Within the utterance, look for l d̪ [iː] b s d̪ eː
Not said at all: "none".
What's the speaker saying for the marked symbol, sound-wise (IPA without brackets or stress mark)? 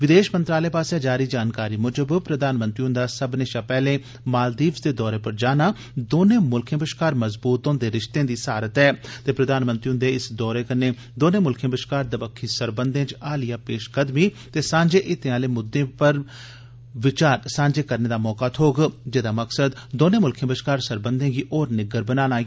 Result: iː